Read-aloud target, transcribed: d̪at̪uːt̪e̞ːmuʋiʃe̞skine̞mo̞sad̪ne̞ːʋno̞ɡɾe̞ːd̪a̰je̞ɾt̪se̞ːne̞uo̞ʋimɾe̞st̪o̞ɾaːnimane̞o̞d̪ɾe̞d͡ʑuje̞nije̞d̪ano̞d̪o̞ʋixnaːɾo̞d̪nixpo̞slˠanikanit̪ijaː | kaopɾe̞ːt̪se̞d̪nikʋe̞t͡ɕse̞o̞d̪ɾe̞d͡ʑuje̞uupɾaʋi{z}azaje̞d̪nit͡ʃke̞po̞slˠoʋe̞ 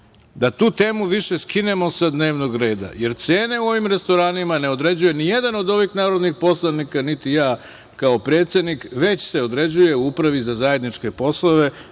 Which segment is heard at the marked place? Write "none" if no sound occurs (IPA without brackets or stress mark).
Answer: z